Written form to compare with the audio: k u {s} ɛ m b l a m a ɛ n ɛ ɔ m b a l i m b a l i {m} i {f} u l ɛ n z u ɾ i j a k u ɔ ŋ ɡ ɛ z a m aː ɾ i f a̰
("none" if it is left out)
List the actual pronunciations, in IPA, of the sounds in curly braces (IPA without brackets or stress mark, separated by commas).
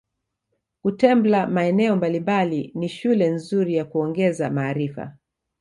t, n, ʃ